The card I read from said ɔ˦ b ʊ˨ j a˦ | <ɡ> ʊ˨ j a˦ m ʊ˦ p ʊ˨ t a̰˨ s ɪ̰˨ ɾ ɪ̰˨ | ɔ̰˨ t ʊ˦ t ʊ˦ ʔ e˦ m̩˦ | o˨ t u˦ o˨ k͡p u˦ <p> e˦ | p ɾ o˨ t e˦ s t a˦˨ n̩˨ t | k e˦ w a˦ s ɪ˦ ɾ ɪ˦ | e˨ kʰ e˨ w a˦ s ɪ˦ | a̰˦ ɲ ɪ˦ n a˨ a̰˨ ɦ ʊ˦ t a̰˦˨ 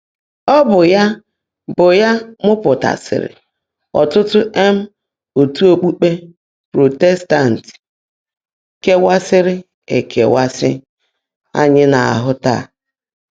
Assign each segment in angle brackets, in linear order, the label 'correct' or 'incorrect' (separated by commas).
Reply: incorrect, incorrect